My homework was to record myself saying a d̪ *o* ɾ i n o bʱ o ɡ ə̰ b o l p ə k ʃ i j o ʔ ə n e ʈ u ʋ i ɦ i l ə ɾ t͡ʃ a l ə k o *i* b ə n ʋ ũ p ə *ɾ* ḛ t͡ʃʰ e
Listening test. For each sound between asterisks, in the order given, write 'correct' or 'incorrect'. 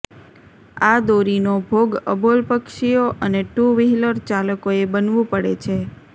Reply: correct, incorrect, incorrect

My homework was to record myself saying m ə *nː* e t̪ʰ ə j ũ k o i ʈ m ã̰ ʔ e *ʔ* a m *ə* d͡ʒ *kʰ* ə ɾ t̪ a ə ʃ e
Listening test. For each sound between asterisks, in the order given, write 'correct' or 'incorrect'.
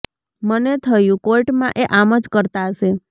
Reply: incorrect, correct, correct, incorrect

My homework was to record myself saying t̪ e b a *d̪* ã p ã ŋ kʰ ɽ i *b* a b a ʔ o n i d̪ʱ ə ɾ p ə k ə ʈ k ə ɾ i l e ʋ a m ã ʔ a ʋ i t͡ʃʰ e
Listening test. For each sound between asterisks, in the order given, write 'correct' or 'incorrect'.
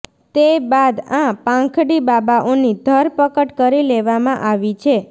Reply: correct, correct

